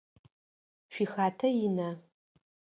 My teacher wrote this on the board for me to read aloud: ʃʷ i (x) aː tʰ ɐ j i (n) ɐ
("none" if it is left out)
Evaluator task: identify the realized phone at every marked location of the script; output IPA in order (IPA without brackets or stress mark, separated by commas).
x, n